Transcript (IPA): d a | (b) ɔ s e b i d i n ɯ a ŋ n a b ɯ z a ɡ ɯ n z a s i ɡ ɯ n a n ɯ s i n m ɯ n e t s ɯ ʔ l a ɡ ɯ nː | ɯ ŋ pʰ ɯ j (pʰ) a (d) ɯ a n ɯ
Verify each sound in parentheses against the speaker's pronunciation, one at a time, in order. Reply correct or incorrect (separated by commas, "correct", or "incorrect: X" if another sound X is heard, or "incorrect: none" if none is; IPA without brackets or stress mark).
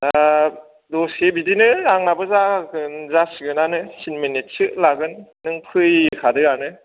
incorrect: d, incorrect: kʰ, correct